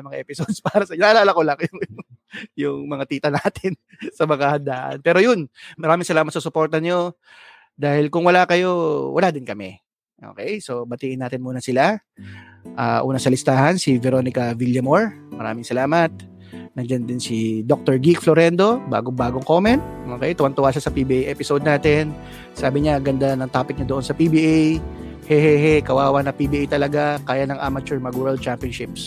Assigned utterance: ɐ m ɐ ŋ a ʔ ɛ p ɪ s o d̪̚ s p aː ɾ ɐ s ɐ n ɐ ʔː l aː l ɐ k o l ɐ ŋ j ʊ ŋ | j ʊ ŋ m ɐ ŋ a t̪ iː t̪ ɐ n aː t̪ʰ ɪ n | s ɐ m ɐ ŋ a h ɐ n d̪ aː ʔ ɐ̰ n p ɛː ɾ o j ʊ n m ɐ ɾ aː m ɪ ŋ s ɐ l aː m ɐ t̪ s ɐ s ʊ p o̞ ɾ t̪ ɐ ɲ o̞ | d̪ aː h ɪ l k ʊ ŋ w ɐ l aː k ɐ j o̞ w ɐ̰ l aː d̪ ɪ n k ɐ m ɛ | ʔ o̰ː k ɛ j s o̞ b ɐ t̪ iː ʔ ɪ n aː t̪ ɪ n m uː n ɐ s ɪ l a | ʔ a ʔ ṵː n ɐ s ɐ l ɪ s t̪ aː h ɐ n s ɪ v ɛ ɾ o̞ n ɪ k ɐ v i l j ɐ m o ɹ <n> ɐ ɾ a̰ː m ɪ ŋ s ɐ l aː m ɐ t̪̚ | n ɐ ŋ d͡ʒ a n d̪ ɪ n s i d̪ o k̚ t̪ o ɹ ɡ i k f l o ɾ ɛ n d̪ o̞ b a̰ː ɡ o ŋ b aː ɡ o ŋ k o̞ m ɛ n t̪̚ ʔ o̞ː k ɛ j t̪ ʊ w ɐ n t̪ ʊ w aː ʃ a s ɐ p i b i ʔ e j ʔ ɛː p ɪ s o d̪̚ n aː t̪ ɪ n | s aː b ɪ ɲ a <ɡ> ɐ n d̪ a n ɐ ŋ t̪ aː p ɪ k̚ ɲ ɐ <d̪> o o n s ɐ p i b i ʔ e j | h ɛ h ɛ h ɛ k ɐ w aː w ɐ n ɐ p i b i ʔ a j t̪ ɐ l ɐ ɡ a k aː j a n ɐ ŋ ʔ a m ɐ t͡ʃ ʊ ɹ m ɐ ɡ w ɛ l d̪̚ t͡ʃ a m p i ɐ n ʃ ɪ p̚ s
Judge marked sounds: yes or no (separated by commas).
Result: no, yes, yes